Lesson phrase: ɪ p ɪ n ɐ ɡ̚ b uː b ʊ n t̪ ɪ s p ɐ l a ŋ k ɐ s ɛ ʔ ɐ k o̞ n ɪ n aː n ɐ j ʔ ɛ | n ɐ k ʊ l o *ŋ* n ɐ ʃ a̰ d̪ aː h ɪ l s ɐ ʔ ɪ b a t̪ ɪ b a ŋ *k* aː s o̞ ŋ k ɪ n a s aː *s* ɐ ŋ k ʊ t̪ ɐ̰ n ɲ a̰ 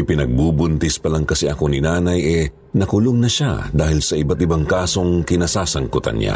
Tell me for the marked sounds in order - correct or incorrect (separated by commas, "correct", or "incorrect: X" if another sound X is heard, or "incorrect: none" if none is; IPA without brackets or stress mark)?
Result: correct, correct, correct